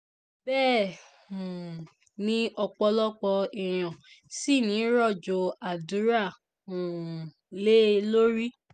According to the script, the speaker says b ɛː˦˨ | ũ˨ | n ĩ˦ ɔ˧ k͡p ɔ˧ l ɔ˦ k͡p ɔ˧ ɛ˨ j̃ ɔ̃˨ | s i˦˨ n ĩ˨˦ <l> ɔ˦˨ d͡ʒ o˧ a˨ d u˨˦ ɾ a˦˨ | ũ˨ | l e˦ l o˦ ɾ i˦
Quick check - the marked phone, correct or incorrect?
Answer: incorrect